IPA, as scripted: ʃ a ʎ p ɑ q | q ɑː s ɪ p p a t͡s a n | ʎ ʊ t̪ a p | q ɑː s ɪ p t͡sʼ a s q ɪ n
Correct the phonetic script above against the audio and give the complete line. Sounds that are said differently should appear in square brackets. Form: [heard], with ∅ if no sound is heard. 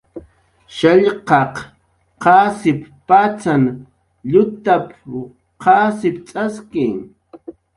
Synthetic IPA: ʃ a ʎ [q] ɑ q | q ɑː s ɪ p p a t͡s a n | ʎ ʊ t̪ a p | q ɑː s ɪ p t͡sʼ a s [k] ɪ [ŋ]